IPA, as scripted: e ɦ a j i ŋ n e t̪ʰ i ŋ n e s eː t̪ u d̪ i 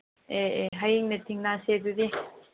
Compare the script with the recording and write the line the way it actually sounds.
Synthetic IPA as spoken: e ɦ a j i ŋ n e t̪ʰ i ŋ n a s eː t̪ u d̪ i